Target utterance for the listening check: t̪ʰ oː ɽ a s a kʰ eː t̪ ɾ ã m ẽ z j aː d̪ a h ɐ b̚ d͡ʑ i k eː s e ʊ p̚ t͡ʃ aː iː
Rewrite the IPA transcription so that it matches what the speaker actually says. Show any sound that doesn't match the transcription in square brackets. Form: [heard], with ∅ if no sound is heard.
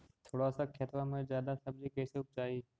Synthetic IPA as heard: t̪ʰ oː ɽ a s a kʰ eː t̪ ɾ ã m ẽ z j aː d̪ a [s] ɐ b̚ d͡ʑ i k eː s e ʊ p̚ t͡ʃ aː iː